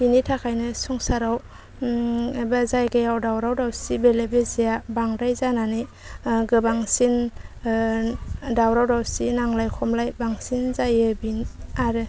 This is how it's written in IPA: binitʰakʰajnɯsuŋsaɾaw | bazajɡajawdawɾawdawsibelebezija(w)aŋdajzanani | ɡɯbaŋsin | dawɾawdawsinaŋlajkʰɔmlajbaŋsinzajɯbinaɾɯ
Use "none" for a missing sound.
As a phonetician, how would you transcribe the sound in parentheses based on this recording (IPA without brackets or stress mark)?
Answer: b